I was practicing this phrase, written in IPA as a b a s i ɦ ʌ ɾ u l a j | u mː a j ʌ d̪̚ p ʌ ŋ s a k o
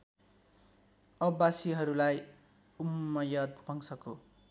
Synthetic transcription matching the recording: ʌ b a s i ɦ ʌ ɾ u l a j | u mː ʌ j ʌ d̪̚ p ʌ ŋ s ʌ k o